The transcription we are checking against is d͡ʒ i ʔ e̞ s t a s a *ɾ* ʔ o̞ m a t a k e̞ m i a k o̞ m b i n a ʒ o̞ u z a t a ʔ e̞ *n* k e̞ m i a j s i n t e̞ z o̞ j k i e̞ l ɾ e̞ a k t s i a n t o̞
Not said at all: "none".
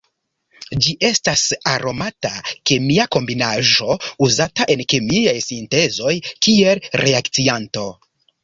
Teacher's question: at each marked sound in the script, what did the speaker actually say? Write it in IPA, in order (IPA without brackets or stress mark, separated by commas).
ɾ, n